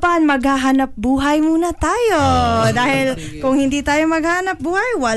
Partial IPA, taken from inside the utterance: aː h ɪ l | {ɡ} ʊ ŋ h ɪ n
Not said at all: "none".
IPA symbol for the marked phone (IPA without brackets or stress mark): k